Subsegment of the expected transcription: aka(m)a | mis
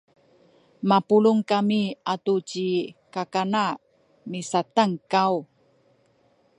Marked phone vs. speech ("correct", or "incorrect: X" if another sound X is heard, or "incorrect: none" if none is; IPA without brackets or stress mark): incorrect: n